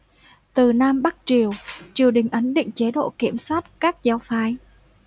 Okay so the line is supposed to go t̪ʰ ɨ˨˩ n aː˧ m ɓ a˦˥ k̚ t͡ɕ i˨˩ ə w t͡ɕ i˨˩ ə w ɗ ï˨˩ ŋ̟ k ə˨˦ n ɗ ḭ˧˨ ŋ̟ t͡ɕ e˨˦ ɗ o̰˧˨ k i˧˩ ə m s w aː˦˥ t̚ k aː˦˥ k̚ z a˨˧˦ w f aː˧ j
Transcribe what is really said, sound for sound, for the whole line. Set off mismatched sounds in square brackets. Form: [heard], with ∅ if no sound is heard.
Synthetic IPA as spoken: [t̪] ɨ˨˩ n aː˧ m ɓ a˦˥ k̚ t͡ɕ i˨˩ ə w t͡ɕ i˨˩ ə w ɗ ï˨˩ ŋ̟ [ʔ] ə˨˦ n ɗ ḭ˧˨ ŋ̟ t͡ɕ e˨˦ ɗ o̰˧˨ k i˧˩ ə m s w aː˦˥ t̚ k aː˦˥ k̚ z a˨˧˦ w f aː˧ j